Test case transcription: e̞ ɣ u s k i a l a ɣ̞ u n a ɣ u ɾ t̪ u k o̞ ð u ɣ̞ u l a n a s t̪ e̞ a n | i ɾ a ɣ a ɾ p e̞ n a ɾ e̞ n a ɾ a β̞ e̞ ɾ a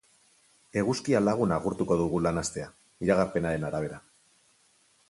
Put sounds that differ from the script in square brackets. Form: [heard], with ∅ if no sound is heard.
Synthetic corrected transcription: e̞ ɣ u s k i a l a ɣ̞ u n a ɣ u ɾ t̪ u k o̞ ð u ɣ̞ u l a n a s t̪ e̞ a [∅] | i ɾ a ɣ a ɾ p e̞ n a ɾ e̞ n a ɾ a β̞ e̞ ɾ a